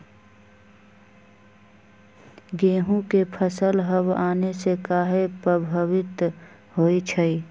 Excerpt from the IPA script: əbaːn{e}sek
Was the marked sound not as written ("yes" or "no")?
no